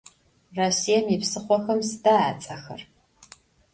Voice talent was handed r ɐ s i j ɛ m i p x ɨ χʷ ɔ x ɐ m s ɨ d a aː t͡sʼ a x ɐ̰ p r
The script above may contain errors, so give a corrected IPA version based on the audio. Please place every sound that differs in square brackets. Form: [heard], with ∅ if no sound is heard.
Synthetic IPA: r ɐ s i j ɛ m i p [s] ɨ χʷ ɔ x ɐ m s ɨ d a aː t͡sʼ [ɐ] x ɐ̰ [∅] r